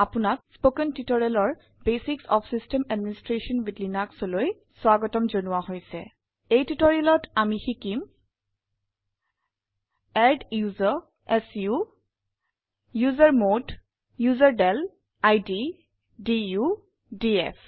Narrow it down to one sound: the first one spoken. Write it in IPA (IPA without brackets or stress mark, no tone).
a